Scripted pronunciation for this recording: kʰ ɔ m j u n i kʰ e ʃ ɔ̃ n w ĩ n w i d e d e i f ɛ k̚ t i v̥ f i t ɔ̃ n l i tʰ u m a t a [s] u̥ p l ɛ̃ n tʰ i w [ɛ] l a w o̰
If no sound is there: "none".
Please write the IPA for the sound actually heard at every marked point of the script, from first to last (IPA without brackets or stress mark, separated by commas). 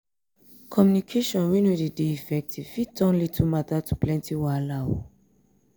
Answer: t, a